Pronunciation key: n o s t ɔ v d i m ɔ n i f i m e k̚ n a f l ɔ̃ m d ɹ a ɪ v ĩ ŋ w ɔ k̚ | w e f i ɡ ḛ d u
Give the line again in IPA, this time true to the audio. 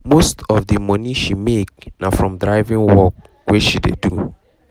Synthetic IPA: m o s t ɔ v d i m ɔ n i ʃ i m e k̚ n a f ɹ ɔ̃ m d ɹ a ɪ v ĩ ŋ w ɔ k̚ | w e ʃ i d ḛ d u